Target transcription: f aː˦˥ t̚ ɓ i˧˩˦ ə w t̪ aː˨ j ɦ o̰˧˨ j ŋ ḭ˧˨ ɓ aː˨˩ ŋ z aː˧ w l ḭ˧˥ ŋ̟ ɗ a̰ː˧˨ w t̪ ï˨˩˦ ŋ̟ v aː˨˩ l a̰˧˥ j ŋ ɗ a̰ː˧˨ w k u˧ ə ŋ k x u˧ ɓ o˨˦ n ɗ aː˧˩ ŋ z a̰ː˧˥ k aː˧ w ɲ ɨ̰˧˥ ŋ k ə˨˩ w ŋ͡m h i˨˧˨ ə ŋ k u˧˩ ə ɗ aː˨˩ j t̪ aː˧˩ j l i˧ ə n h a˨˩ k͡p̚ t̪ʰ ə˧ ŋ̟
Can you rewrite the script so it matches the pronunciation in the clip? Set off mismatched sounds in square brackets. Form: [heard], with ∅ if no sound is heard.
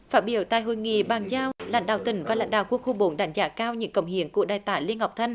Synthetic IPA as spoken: f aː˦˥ t̚ ɓ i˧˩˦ ə w t̪ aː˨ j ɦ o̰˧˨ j ŋ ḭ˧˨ ɓ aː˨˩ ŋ z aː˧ w l [a̰˧˥] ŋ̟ ɗ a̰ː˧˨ w t̪ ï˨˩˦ ŋ̟ v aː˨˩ l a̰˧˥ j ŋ ɗ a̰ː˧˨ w k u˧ ə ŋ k x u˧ ɓ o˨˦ n ɗ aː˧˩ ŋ z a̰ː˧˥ k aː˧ w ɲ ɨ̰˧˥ ŋ k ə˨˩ w ŋ͡m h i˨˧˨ ə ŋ k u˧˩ ə ɗ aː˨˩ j t̪ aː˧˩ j l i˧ ə n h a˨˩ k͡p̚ t̪ʰ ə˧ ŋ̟